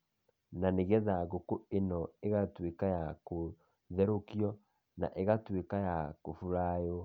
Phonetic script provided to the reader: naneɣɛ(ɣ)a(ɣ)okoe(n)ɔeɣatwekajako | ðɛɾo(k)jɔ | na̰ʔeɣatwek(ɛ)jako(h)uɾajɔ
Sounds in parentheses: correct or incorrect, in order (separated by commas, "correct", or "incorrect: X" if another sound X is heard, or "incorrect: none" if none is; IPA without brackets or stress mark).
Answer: incorrect: ð, correct, correct, correct, incorrect: a, incorrect: f